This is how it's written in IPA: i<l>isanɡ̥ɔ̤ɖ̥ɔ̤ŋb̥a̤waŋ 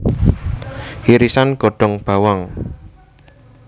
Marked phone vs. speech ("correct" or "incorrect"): incorrect